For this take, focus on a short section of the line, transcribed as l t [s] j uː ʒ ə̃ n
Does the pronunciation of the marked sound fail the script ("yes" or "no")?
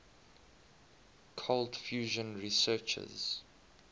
yes